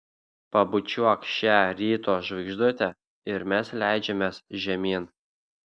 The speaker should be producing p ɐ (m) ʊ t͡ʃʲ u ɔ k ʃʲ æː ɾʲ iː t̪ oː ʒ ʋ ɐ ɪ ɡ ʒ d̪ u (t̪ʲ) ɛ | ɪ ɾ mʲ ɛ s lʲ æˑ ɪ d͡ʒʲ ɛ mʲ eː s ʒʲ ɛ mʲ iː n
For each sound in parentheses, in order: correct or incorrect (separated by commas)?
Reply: incorrect, correct